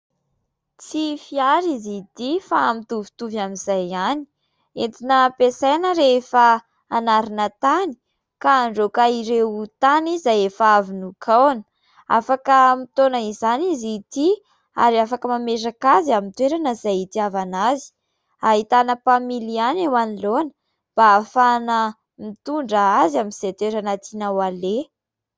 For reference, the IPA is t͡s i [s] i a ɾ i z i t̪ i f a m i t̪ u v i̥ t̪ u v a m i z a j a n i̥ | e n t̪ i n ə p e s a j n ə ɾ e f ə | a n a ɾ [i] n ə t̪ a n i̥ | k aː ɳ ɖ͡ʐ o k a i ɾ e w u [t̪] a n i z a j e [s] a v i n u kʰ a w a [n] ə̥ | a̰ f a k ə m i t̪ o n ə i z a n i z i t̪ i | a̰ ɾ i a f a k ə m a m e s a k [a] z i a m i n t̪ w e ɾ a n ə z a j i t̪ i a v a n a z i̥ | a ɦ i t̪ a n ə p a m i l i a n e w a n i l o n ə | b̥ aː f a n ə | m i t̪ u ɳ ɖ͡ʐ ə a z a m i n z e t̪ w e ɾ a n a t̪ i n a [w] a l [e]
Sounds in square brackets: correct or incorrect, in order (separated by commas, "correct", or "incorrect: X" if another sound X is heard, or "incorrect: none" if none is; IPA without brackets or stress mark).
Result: incorrect: f, correct, correct, incorrect: f, correct, correct, correct, correct